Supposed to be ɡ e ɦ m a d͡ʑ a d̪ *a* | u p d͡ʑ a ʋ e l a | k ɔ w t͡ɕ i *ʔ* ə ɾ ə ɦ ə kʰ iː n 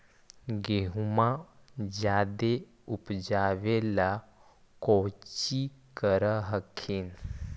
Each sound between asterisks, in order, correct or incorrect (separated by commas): incorrect, incorrect